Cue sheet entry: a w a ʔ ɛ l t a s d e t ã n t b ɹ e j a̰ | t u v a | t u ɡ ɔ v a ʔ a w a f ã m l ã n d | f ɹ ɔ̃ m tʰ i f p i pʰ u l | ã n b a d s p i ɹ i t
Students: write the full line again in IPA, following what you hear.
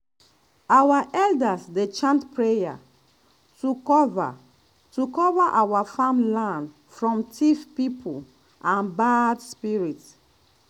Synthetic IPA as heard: a w a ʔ ɛ l d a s d e t͡ʃ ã n t p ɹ e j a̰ | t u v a | t u k ɔ v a ʔ a w a f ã m l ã n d | f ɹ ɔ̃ m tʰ i f p i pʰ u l | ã n b a d s p i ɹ i t